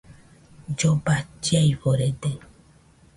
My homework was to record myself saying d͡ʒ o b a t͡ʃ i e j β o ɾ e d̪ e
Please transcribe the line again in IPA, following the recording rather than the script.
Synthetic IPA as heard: d͡ʒ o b a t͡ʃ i a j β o ɾ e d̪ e